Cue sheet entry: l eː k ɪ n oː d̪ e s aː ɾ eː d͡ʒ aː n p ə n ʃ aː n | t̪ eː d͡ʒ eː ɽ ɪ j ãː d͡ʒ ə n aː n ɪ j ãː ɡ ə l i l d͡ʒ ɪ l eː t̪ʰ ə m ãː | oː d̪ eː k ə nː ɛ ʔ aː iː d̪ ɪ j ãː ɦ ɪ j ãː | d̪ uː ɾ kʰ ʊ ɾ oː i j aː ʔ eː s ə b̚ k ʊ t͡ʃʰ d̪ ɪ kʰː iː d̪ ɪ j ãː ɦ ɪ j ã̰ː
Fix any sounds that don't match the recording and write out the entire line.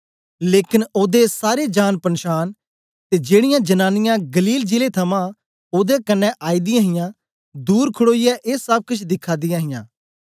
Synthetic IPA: l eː k ɪ n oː d̪ e s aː ɾ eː d͡ʒ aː n p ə n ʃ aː n | t̪ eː d͡ʒ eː ɽ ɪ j ãː d͡ʒ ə n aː n ɪ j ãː ɡ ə l iː l d͡ʒ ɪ l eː t̪ʰ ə m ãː | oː d̪ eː k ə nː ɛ ʔ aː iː d̪ ɪ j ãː ɦ ɪ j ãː | d̪ uː ɾ kʰ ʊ ɽ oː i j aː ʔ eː s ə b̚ k ʊ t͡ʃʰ d̪ ɪ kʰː aː d̪ ɪ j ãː ɦ ɪ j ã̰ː